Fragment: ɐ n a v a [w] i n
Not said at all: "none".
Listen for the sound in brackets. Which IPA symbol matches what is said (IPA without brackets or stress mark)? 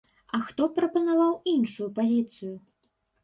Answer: w